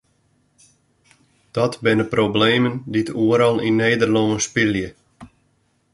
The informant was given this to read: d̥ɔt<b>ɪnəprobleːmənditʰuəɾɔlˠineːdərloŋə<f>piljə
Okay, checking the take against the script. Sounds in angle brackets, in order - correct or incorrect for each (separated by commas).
correct, incorrect